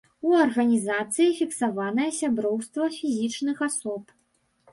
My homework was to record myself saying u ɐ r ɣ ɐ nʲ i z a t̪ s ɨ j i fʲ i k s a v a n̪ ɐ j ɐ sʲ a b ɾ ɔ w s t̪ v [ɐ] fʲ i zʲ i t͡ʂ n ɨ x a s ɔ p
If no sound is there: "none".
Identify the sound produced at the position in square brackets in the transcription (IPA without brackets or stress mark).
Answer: ɐ